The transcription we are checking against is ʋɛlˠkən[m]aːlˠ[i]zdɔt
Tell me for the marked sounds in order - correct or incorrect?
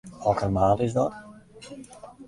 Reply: correct, incorrect

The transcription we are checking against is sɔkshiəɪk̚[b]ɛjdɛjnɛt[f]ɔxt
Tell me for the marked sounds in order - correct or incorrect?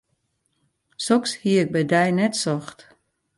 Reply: correct, incorrect

